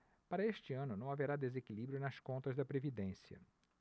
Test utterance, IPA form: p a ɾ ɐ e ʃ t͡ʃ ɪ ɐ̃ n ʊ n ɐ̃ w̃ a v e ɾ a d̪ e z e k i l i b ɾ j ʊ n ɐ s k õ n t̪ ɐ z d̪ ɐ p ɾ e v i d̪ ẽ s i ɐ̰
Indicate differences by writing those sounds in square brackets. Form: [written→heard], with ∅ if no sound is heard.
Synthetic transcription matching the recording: p a ɾ ɐ e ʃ t͡ʃ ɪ ɐ̃ n ʊ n ɐ̃ w̃ a v e ɾ a d̪ e z e k i l i b ɾ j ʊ n ɐ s k õ n t̪ ɐ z d̪ ɐ p ɾ e v i d̪ ẽ s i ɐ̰